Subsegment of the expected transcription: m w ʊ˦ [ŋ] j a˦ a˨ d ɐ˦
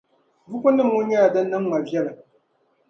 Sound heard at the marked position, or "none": ɲ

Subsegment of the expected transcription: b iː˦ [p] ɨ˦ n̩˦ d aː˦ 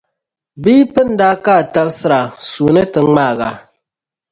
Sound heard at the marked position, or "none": p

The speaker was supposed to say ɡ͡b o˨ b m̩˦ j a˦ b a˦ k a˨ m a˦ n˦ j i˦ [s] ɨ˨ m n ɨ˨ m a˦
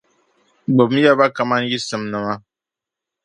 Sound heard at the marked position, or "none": s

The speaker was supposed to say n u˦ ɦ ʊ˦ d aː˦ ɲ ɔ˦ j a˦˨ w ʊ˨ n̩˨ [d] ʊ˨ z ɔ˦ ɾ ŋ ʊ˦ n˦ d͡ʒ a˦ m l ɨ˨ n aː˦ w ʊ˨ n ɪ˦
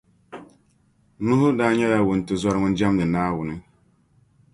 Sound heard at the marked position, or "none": t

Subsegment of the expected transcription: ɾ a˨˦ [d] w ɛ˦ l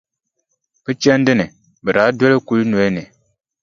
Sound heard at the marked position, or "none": d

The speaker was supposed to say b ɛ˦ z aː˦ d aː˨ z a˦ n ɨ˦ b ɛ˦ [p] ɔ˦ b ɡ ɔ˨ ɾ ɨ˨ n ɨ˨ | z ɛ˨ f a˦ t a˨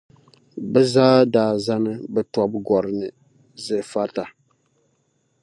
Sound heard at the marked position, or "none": t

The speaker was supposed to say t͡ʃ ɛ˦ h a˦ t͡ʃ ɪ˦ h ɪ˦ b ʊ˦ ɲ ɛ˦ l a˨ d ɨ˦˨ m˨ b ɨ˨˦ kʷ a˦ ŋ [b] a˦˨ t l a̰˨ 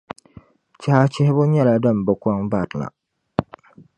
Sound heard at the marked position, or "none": b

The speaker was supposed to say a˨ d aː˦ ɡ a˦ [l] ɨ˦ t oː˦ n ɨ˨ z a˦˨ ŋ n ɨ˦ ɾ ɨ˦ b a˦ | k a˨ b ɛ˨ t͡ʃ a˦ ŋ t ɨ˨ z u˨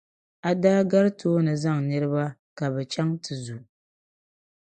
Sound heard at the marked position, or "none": ɾ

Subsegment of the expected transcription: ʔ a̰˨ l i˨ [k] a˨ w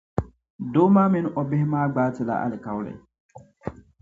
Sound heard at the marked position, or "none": k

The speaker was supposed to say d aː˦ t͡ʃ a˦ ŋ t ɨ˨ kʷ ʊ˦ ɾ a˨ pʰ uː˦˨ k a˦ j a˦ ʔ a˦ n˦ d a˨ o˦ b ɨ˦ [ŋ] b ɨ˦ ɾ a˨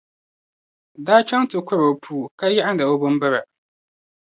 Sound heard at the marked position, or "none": m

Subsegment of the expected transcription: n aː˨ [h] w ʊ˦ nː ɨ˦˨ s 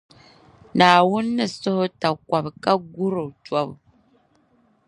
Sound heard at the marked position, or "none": none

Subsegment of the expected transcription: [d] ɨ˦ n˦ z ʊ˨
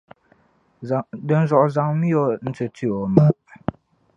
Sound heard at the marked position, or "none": d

